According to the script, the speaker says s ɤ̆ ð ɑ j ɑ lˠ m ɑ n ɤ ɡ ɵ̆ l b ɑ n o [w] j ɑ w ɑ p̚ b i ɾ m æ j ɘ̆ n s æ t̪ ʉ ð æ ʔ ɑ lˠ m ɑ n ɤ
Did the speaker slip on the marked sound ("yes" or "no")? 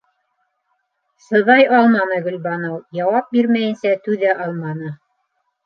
no